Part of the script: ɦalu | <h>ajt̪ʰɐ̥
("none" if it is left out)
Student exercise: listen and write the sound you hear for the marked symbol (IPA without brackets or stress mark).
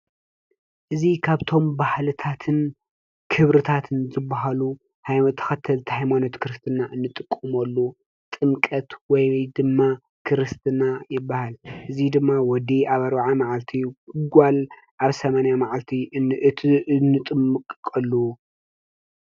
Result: h